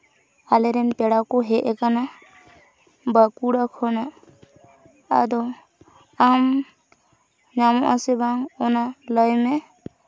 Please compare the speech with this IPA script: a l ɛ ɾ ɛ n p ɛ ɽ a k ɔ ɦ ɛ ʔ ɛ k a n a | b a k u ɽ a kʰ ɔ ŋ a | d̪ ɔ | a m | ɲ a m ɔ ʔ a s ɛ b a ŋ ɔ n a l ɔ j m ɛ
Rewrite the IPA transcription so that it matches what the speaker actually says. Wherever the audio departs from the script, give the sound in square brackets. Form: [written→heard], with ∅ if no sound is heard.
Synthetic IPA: a l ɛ ɾ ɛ n p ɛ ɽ a k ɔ ɦ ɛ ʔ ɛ k a n a | b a k u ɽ a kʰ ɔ [ŋ→n] a | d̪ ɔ | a m | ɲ a m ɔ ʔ a s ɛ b a ŋ ɔ n a l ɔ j m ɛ

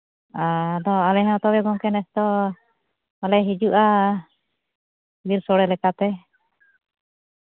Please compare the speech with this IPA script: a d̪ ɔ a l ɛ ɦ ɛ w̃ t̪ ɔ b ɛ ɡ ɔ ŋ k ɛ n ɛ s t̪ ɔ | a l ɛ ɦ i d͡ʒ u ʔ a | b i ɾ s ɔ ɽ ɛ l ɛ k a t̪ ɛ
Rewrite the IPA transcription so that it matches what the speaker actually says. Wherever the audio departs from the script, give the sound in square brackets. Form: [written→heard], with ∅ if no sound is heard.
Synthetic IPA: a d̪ ɔ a l ɛ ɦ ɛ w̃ t̪ ɔ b ɛ ɡ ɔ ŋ k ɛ n ɛ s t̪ ɔ | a l ɛ ɦ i d͡ʒ u ʔ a | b i ɾ s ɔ ɽ ɛ l ɛ k a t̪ ɛ

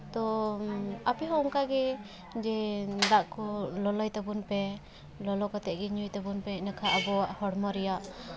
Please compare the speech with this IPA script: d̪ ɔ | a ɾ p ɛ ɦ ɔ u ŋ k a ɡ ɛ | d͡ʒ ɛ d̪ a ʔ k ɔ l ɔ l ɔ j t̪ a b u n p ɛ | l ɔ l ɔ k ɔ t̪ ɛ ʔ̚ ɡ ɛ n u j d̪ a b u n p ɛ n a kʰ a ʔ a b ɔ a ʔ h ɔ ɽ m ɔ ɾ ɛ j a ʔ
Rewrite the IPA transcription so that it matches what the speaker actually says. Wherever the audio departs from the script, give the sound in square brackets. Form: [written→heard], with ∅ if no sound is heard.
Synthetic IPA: [d̪→t̪] ɔ | a [ɾ→∅] p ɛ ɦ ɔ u ŋ k a ɡ ɛ | d͡ʒ ɛ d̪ a ʔ k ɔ l ɔ l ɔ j t̪ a b u n p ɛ | l ɔ l ɔ k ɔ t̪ ɛ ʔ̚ ɡ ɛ [n→ɲ] u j [d̪→t̪] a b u n p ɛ n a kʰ a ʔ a b ɔ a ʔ h ɔ ɽ m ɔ ɾ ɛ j a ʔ

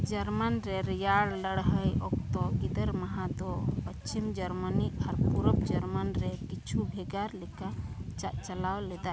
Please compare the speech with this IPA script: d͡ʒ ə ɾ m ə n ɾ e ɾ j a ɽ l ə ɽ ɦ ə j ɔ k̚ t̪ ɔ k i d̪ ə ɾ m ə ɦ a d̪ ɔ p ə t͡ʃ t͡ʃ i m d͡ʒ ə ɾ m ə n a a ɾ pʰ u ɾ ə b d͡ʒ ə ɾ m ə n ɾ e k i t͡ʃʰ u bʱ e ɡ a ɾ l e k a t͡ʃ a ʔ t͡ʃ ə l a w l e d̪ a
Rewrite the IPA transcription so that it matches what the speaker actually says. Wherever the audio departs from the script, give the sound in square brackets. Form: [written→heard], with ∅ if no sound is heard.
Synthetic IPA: d͡ʒ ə ɾ m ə n ɾ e ɾ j a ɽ l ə ɽ ɦ ə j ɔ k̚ t̪ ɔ [k→ɡ] i d̪ ə ɾ m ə ɦ a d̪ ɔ p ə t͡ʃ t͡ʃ i m d͡ʒ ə ɾ m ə n [a→i] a ɾ [pʰ→p] u ɾ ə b d͡ʒ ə ɾ m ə n ɾ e k i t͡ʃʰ u bʱ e ɡ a ɾ l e k a t͡ʃ a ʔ t͡ʃ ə l a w l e d̪ a

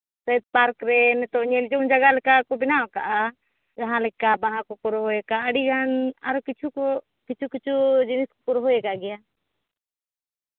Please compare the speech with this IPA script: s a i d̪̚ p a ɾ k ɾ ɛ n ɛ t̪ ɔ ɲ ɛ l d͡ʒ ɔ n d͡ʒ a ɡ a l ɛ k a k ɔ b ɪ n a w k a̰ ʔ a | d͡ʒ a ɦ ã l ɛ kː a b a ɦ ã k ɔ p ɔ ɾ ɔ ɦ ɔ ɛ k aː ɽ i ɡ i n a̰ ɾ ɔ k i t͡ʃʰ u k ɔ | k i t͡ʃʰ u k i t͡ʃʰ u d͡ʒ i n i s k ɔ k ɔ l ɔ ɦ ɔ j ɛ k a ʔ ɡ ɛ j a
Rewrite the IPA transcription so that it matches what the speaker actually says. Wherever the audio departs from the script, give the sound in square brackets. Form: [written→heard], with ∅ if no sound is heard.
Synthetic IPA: s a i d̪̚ p a ɾ k ɾ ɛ n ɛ t̪ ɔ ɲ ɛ l d͡ʒ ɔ n d͡ʒ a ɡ a l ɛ k a k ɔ b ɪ n a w k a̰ ʔ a | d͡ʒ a ɦ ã l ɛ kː a b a ɦ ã k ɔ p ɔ ɾ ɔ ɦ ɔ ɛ k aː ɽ i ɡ [i→a] n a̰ ɾ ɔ k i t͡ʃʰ u k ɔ | k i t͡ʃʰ u k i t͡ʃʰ u d͡ʒ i n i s k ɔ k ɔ [l→ɾ] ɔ ɦ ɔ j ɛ k a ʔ ɡ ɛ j a

